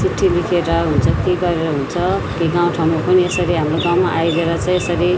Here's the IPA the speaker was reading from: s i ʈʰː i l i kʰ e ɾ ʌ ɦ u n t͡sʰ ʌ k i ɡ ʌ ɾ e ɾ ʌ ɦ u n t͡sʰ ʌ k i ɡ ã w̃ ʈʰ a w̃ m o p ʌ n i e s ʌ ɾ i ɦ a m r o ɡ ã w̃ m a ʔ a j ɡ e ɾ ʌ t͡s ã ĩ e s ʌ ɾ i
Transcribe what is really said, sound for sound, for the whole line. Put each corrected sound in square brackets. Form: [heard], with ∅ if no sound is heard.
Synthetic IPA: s i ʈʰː i l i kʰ e ɾ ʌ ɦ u n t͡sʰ ʌ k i ɡ ʌ ɾ e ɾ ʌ ɦ u n t͡sʰ ʌ k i ɡ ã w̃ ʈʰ a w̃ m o p ʌ n i e s ʌ ɾ i ɦ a m r o ɡ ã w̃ m a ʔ a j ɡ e ɾ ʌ t͡s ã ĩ e s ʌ ɾ i